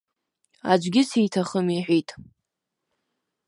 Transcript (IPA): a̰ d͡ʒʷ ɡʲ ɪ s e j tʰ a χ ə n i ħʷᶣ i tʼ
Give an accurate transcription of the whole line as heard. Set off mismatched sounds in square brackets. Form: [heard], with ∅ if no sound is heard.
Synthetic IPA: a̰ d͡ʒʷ ɡʲ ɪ s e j tʰ a χ ə [m] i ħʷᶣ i tʼ